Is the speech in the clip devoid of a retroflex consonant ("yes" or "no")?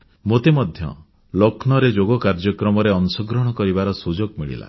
no